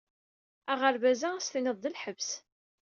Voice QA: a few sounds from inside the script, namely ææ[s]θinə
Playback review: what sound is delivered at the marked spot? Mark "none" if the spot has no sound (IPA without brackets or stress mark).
s